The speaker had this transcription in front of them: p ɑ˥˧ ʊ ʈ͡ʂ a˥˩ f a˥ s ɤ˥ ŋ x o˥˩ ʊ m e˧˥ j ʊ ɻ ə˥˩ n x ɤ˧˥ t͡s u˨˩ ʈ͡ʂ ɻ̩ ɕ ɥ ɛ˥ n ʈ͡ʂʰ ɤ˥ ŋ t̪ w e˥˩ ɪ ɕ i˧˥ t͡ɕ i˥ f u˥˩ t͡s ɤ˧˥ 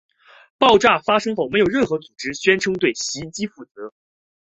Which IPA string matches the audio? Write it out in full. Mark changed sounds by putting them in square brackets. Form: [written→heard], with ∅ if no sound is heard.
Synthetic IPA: p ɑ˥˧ ʊ ʈ͡ʂ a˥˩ f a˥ [s→ʂ] ɤ˥ ŋ x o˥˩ ʊ m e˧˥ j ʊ ɻ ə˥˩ n x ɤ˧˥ t͡s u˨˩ ʈ͡ʂ ɻ̩ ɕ ɥ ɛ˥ n ʈ͡ʂʰ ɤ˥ ŋ t̪ w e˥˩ ɪ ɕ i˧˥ t͡ɕ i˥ f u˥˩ t͡s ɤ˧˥